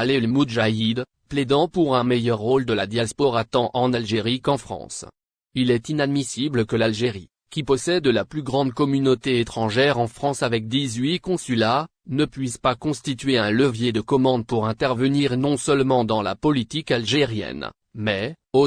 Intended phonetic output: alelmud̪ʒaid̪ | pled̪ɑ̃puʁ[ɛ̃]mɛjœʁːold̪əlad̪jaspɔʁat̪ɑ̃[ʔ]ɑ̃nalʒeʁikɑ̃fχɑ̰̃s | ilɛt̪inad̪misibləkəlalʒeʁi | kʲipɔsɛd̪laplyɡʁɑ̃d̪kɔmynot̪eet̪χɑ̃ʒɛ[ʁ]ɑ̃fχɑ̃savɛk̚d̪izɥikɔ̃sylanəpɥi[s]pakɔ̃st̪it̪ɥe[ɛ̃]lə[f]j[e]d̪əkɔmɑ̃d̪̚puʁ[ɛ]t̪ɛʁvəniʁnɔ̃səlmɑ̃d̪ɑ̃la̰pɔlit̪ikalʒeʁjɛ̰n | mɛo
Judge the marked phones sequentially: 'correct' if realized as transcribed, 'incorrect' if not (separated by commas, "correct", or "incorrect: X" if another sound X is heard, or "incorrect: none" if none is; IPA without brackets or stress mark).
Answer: correct, correct, correct, correct, correct, incorrect: v, correct, incorrect: ɛ̃